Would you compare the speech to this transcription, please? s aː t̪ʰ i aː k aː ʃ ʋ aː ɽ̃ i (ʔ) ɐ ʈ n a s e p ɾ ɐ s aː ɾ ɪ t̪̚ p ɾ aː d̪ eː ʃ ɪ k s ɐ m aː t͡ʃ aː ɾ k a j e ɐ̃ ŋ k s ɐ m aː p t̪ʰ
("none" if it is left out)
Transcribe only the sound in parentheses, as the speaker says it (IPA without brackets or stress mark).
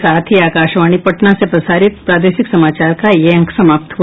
p